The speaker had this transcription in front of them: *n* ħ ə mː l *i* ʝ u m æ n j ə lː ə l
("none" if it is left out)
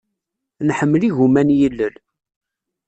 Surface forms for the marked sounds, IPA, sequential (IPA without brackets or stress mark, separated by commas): n, i